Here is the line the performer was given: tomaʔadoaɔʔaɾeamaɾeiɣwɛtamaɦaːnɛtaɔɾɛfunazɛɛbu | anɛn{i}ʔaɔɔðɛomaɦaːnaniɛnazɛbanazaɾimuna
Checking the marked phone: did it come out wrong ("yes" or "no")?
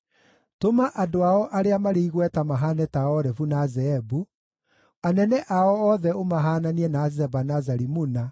yes